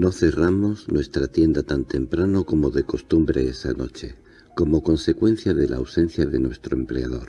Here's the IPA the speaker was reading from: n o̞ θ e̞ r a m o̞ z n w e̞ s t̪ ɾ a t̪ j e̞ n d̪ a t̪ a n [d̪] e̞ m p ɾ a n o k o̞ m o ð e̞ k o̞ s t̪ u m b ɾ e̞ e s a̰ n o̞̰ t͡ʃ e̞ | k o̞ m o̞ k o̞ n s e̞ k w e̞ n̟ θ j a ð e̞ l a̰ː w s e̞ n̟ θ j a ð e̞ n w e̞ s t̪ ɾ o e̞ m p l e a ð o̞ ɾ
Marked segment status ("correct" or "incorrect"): incorrect